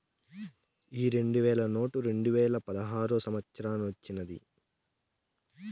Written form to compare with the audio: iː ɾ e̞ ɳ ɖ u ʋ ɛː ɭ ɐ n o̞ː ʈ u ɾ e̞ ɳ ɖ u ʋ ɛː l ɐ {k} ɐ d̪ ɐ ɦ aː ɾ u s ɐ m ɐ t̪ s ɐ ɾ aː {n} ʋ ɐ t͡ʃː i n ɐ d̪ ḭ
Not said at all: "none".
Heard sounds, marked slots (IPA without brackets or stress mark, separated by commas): p, n